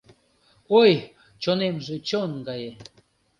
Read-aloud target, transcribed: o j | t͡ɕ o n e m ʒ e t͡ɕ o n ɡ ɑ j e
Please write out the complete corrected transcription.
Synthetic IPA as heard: o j | t͡ɕ o n e m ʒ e t͡ɕ o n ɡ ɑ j e